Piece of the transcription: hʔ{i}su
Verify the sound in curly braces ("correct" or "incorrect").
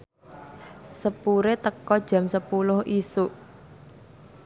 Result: correct